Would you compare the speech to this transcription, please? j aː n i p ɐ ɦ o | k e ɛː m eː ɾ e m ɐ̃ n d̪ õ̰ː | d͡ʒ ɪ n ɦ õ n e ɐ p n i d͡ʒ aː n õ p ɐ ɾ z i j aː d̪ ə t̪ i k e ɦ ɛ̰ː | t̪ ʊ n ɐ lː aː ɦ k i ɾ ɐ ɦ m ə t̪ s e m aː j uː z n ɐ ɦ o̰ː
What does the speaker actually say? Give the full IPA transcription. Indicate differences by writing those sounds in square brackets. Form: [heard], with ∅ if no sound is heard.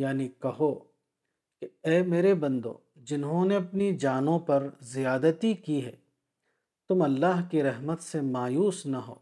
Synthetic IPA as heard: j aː n i [k] ɐ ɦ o | k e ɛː m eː ɾ e [b] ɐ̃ n d̪ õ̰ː | d͡ʒ ɪ n ɦ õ n e ɐ p n i d͡ʒ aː n õ p ɐ ɾ z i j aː d̪ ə t̪ i k [i] ɦ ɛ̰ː | t̪ ʊ [m] ɐ lː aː ɦ k i ɾ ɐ ɦ m ə t̪ s e m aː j uː [s] n ɐ ɦ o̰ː